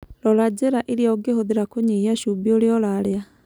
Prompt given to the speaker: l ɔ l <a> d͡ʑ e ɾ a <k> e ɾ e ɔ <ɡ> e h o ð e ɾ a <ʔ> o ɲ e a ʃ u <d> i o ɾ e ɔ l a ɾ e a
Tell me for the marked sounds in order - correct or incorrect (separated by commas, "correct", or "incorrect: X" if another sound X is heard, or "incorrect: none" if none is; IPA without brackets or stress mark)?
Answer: correct, incorrect: ʔ, correct, incorrect: k, incorrect: b